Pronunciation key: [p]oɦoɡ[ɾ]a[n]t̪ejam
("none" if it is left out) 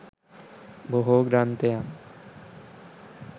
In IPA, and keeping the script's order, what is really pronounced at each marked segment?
b, ɾ, n

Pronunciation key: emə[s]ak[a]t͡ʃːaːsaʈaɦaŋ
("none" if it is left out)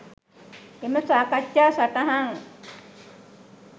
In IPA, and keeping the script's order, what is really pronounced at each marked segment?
s, a

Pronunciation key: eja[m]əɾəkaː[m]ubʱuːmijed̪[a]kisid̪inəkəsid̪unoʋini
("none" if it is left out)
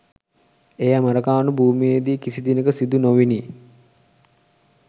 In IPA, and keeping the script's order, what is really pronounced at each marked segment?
m, n, i

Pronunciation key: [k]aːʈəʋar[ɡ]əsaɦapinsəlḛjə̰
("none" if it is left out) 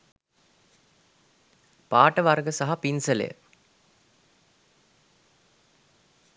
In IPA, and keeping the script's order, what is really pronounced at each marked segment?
p, ɡ

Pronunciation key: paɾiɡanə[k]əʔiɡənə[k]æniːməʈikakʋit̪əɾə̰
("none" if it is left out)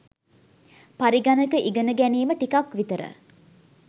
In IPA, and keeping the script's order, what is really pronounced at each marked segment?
k, ɡ

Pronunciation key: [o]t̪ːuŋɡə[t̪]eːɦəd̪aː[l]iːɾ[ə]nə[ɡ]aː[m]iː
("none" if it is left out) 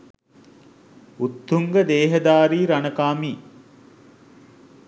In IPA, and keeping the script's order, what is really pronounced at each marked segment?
u, d̪, ɾ, a, k, m

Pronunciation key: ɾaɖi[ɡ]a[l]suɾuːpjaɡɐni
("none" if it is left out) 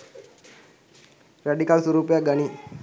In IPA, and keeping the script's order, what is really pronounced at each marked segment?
k, l

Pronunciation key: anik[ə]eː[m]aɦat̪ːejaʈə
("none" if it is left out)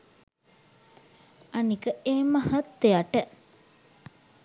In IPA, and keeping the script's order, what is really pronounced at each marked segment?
ə, m

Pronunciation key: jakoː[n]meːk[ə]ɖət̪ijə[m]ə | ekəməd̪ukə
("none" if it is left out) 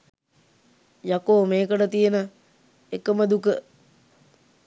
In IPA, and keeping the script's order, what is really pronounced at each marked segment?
none, ə, n

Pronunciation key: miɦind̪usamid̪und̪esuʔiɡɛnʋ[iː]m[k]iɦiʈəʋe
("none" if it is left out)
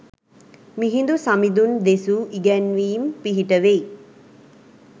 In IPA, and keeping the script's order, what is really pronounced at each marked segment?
iː, p

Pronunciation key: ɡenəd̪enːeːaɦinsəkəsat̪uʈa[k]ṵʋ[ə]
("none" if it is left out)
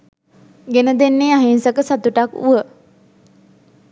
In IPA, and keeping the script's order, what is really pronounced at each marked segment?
k, ə

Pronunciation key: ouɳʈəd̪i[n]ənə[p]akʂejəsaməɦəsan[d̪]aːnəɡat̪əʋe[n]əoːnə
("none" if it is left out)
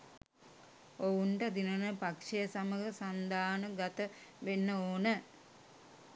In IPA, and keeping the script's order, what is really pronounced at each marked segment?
n, p, d̪, nː

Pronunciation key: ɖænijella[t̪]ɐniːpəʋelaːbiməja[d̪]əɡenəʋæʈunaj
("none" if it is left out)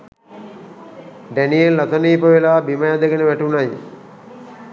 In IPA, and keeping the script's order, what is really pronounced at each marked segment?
t̪, d̪

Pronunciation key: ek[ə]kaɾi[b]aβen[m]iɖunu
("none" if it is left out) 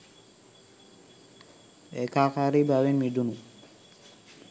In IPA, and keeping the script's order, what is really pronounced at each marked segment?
a, b, m

